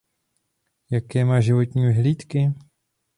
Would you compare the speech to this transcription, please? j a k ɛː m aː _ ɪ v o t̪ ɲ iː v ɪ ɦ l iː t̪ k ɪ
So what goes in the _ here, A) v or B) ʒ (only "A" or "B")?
B